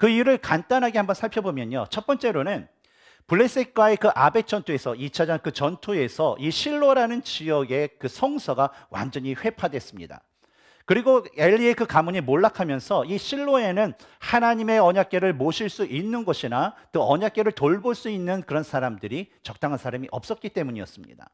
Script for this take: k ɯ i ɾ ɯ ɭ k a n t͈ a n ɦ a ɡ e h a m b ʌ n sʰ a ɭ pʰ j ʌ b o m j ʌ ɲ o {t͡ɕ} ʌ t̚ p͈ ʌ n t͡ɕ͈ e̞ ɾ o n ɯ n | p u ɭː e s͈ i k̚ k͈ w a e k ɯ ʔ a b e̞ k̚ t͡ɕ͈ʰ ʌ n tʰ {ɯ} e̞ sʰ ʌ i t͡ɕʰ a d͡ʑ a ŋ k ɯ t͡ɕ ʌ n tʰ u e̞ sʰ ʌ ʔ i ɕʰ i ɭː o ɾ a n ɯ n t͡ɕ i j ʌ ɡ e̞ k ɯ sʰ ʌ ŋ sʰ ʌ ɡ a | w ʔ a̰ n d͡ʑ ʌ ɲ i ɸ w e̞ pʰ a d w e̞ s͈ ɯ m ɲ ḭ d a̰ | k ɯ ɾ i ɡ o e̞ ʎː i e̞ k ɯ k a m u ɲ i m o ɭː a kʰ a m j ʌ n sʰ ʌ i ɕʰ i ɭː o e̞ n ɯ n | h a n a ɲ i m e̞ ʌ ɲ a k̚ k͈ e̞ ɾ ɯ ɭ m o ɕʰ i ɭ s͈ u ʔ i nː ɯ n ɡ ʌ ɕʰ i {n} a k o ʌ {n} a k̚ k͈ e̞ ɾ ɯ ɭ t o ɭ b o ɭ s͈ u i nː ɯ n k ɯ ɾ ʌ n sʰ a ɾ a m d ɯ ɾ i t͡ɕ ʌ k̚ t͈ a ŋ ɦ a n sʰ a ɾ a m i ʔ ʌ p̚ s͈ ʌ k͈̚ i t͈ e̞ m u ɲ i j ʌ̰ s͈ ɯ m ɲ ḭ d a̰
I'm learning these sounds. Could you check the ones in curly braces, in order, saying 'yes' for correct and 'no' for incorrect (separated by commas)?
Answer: no, no, yes, no